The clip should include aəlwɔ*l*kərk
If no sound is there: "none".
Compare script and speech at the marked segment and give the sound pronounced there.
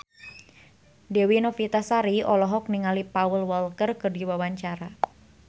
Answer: l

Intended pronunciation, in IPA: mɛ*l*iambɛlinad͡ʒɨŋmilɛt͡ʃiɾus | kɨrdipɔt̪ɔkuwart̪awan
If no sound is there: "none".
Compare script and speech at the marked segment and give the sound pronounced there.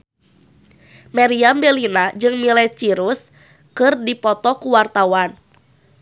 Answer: ɾ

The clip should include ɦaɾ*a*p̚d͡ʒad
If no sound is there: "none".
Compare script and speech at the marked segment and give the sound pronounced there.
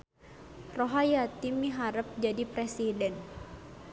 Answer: ə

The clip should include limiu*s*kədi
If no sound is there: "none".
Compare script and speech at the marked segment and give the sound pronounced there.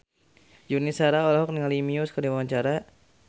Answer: s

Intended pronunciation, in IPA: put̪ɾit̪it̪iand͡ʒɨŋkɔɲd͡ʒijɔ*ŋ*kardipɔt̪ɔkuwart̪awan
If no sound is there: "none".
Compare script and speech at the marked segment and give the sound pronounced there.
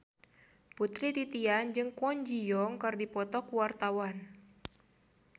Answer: ŋ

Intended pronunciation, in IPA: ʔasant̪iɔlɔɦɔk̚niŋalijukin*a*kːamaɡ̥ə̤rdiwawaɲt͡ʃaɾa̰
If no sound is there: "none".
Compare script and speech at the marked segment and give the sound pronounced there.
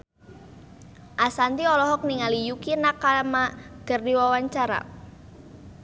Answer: a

